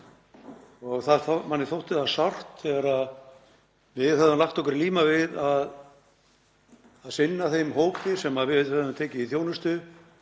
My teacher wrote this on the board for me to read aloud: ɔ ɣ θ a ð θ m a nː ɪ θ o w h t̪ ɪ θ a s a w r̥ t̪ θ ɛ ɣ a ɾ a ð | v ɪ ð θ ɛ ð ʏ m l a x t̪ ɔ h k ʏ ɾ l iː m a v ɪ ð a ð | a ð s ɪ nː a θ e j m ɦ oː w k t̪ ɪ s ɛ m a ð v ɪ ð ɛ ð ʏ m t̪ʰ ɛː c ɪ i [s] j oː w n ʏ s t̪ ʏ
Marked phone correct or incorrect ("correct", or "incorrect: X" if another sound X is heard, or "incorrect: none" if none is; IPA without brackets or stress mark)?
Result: incorrect: θ